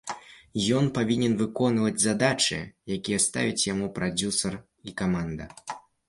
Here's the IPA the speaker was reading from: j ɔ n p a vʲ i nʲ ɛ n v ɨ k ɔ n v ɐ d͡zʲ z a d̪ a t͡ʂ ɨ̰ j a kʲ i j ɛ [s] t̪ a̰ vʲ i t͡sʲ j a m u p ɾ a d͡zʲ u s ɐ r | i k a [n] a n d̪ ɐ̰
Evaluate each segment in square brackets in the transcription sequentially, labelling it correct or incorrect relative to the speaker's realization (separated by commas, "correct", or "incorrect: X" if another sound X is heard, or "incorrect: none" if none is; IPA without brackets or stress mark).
correct, incorrect: m